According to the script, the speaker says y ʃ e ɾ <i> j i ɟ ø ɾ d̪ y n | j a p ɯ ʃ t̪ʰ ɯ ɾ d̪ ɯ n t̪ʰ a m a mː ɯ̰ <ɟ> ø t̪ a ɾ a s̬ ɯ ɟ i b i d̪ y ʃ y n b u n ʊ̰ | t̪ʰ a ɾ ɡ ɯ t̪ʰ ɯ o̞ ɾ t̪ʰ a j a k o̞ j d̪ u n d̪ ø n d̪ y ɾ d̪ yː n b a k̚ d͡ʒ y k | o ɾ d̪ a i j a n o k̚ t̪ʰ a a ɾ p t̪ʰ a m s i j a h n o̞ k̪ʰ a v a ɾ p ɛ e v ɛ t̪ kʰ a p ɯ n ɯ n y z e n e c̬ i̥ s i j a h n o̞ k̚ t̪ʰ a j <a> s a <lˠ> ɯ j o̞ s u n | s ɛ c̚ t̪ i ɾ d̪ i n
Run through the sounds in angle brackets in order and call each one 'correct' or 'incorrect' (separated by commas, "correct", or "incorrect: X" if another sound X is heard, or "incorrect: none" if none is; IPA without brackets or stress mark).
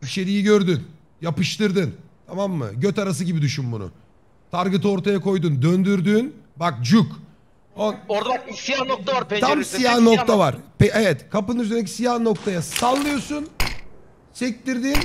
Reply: correct, correct, correct, incorrect: lˠː